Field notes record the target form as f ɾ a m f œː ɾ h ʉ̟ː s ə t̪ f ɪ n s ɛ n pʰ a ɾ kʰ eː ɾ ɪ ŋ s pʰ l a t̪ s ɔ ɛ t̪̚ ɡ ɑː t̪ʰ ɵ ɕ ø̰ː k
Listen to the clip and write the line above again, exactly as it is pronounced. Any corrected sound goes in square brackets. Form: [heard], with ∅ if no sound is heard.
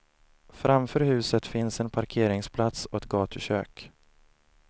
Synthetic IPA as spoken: f ɾ a m f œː ɾ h ʉ̟ː s ə t̪ f ɪ n s ɛ n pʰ a ɾ kʰ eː ɾ ɪ ŋ s pʰ l a t̪ s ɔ ɛ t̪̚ ɡ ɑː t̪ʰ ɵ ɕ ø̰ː k